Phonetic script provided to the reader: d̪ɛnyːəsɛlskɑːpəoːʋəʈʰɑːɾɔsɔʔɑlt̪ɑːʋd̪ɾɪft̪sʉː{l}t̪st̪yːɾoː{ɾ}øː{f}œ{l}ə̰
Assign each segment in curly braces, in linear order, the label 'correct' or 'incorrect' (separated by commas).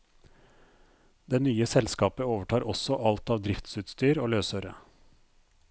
incorrect, incorrect, incorrect, incorrect